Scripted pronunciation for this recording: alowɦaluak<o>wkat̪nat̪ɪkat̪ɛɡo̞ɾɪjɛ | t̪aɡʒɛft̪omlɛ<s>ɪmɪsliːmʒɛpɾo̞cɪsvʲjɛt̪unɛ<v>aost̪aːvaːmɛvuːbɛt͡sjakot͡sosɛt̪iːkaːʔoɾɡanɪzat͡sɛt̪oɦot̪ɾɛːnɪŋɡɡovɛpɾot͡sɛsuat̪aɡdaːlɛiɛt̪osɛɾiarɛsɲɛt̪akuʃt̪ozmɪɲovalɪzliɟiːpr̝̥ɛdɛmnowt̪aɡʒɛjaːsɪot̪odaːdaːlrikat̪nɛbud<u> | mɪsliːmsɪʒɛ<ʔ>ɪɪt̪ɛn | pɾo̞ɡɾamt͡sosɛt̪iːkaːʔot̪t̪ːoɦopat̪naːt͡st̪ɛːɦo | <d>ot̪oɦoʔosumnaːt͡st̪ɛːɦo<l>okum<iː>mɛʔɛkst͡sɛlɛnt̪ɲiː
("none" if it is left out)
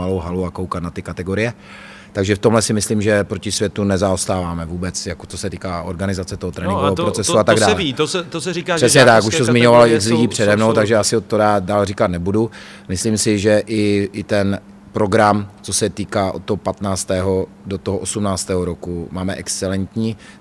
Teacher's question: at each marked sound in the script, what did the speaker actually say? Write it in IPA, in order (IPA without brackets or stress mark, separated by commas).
o, s, z, u, ʔ, d, ɾ, aː